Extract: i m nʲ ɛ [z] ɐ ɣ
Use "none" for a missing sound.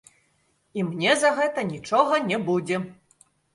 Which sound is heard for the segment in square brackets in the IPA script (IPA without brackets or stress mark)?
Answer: z